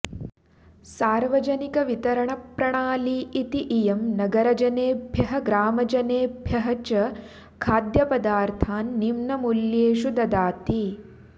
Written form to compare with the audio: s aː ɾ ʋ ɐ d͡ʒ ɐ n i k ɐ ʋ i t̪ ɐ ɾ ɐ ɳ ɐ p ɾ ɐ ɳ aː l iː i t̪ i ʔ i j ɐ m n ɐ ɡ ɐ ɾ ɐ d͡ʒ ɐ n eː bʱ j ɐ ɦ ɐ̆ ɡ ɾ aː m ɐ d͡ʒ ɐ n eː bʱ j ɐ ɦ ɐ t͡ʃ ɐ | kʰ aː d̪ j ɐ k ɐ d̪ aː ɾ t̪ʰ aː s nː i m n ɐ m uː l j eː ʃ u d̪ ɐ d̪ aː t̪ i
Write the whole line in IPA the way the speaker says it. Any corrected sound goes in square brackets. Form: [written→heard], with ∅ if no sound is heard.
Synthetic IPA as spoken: s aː ɾ ʋ ɐ d͡ʒ ɐ n i k ɐ ʋ i t̪ ɐ ɾ ɐ ɳ ɐ p ɾ ɐ ɳ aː l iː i t̪ i ʔ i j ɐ m n ɐ ɡ ɐ ɾ ɐ d͡ʒ ɐ n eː bʱ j ɐ ɦ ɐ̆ ɡ ɾ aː m ɐ d͡ʒ ɐ n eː bʱ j ɐ ɦ ɐ t͡ʃ ɐ | kʰ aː d̪ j ɐ [k→p] ɐ d̪ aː ɾ t̪ʰ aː [s→∅] nː i m n ɐ m [uː→u] l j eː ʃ u d̪ ɐ d̪ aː t̪ i